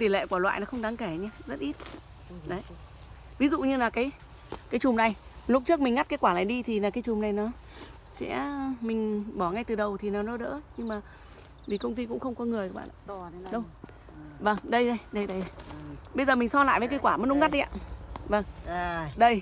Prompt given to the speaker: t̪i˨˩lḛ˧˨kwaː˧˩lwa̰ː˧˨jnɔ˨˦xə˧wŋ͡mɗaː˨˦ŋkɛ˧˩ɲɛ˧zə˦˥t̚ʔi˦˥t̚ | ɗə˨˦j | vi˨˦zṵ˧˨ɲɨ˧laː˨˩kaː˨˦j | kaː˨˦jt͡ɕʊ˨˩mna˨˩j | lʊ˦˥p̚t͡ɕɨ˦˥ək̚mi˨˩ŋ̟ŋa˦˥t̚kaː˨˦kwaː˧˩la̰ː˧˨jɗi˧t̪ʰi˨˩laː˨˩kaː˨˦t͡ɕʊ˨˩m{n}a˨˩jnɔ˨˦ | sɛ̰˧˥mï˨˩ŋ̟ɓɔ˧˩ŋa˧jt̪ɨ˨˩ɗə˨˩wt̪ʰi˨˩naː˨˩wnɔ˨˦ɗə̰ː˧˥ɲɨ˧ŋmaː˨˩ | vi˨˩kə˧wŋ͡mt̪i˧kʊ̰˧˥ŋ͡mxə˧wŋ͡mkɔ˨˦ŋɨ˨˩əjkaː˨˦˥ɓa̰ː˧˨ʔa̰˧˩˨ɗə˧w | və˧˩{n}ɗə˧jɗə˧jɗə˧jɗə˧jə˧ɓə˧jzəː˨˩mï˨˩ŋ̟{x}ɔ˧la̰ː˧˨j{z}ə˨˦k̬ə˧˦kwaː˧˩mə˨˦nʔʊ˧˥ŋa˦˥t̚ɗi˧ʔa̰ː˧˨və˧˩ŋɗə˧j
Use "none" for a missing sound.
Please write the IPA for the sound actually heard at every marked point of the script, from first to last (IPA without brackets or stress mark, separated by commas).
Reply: n, ŋ, s, v